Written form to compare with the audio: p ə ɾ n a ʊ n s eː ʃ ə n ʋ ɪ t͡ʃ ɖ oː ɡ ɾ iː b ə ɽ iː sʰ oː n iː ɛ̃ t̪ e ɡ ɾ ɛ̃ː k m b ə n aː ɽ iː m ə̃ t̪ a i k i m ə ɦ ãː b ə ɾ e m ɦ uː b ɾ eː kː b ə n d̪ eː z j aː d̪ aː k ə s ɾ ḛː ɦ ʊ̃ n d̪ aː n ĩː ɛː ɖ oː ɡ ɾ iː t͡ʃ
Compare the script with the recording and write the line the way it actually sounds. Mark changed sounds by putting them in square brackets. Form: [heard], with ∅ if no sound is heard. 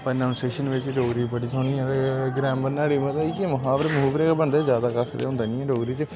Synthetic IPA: p ə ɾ n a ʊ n s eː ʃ ə n ʋ ɪ t͡ʃ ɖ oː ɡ ɾ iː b ə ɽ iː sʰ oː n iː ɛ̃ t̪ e ɡ ɾ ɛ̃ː [∅] m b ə n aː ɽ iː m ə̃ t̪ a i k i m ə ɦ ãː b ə ɾ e m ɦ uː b ɾ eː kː b ə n d̪ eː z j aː d̪ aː k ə s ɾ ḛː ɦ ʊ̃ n d̪ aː n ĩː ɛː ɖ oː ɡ ɾ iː t͡ʃ